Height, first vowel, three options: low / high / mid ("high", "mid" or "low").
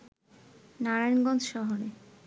low